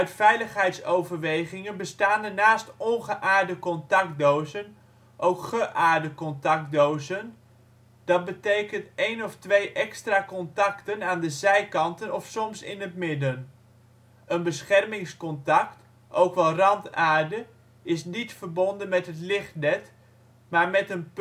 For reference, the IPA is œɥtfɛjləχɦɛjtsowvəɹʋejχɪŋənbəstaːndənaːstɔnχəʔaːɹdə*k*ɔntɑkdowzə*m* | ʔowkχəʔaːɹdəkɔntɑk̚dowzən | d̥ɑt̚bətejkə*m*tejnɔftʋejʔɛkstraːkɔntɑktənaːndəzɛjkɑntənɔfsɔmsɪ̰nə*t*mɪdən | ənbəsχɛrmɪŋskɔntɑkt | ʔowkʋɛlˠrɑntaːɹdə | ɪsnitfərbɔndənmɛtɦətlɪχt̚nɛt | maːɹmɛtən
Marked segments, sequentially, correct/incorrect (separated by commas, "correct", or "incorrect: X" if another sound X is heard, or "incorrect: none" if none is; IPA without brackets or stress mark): correct, incorrect: n, incorrect: n, correct